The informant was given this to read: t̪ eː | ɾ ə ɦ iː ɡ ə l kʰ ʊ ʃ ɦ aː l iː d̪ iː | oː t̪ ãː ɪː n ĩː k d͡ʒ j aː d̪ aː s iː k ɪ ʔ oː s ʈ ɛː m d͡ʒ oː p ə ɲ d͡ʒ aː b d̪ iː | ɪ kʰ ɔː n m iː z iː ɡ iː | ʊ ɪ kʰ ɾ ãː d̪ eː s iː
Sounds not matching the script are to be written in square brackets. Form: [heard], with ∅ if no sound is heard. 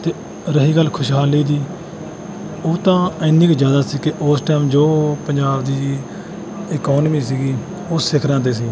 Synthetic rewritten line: t̪ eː | ɾ ə ɦ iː ɡ ə l kʰ ʊ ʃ ɦ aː l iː d̪ iː | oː t̪ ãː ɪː n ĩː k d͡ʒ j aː d̪ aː s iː k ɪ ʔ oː s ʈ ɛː m d͡ʒ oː p ə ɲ d͡ʒ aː b d̪ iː | ɪ [k] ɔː n m iː [s] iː ɡ iː | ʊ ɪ kʰ ɾ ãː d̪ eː s iː